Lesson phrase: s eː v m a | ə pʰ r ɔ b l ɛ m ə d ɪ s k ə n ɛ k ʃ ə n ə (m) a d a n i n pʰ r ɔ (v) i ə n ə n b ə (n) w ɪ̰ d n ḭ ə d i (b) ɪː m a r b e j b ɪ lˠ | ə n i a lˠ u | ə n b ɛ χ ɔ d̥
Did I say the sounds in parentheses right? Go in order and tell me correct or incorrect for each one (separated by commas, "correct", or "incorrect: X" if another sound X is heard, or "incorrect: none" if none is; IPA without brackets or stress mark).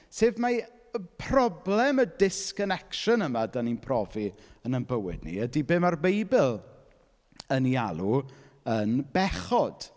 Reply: correct, correct, incorrect: none, correct